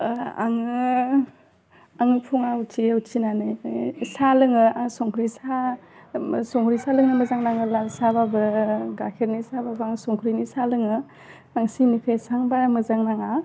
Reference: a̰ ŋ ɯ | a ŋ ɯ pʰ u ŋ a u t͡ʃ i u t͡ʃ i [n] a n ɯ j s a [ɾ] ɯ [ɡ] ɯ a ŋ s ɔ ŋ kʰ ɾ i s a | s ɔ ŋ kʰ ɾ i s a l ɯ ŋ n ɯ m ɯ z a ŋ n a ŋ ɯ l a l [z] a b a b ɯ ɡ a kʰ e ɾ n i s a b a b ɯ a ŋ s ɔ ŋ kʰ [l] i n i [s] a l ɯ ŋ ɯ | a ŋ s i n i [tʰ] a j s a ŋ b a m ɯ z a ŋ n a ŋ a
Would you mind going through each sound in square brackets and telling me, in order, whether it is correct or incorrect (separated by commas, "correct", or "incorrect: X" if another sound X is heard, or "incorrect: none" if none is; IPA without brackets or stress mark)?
correct, incorrect: l, incorrect: ŋ, incorrect: s, incorrect: ɾ, correct, incorrect: kʰ